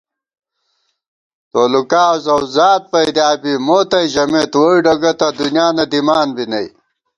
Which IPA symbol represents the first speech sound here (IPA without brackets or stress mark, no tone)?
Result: t̪